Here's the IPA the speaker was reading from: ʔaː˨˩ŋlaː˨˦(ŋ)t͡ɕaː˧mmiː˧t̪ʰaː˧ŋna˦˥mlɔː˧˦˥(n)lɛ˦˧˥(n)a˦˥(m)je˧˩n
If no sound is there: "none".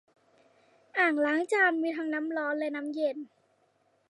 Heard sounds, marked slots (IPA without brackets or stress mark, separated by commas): ŋ, n, n, m